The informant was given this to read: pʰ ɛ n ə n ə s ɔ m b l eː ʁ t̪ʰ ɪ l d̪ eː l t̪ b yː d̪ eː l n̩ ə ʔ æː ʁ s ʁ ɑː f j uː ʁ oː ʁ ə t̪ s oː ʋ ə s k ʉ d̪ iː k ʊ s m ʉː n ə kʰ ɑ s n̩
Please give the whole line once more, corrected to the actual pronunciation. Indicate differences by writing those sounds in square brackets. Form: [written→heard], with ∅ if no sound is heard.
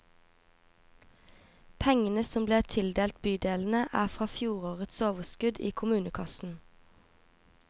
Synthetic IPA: pʰ ɛ [n→ŋ] ə n ə s ɔ m b l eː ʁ t̪ʰ ɪ l d̪ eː l t̪ b yː d̪ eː l n̩ ə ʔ æː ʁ [s→f] ʁ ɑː f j uː ʁ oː ʁ ə t̪ s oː ʋ ə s k ʉ d̪ iː [k→kʰ] ʊ [s→∅] m ʉː n ə kʰ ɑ s n̩